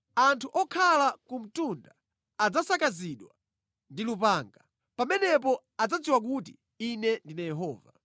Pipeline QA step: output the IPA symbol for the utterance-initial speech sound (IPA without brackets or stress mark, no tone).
a